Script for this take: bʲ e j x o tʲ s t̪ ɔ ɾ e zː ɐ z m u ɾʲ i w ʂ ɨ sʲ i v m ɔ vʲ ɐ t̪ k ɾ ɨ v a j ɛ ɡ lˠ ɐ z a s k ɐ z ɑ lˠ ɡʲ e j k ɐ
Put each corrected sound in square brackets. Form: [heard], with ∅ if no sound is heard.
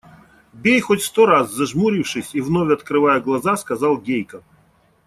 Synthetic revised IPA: bʲ e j x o tʲ s t̪ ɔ ɾ [a] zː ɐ [ʐ] m u ɾʲ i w ʂ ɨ sʲ i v [n] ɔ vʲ ɐ t̪ k ɾ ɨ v a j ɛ ɡ lˠ ɐ z a s k ɐ z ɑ lˠ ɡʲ e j k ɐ